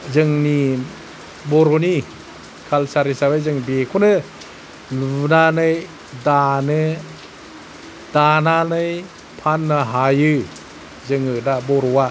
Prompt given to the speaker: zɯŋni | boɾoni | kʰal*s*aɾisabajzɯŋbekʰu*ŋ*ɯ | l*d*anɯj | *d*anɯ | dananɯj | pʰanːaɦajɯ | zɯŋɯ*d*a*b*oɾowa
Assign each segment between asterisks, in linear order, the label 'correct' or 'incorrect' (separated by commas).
correct, incorrect, incorrect, correct, correct, correct